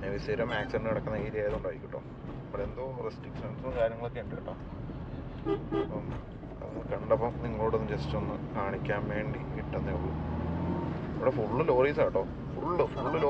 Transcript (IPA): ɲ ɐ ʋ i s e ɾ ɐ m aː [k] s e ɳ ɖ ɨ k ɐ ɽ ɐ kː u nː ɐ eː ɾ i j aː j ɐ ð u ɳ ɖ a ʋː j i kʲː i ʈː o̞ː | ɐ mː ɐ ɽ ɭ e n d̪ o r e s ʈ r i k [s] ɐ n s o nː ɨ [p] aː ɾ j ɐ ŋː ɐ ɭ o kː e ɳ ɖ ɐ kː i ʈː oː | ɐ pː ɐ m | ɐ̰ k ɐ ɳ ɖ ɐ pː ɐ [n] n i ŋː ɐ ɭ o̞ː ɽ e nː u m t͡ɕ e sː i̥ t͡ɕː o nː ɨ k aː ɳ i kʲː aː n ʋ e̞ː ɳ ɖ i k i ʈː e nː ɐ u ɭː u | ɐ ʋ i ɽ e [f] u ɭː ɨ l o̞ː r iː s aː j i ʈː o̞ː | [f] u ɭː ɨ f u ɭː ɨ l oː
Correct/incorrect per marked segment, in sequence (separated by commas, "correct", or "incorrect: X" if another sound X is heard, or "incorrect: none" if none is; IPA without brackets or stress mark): correct, incorrect: ʂ, incorrect: k, incorrect: m, correct, correct